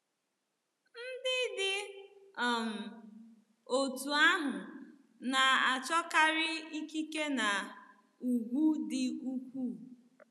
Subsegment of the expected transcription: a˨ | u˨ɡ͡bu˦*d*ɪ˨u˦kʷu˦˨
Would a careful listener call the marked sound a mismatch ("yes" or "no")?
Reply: no